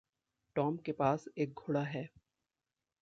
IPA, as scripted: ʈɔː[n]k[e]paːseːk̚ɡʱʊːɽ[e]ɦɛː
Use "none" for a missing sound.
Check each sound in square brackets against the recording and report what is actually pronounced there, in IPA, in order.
m, e, a

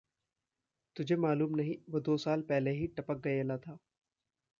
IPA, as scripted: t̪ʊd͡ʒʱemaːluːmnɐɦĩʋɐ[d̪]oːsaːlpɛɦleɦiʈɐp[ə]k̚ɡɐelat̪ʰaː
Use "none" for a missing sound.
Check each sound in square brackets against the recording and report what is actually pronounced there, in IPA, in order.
d̪, ə

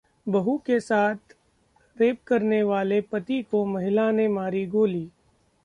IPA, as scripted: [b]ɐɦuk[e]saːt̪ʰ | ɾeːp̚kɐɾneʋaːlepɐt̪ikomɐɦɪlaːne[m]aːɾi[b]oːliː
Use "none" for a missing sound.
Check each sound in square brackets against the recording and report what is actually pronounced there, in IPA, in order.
b, e, m, ɡ

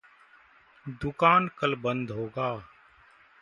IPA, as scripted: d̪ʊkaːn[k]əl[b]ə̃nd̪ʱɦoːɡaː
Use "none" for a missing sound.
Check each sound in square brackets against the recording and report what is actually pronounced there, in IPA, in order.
k, b

